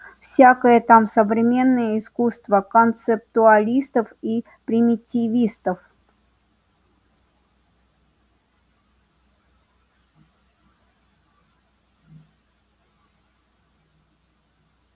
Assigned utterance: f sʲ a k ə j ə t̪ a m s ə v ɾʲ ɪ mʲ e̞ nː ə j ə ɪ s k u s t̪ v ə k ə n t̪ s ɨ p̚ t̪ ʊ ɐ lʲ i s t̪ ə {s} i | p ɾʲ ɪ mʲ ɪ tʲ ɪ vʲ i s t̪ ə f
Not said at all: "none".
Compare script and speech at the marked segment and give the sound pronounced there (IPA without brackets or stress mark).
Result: f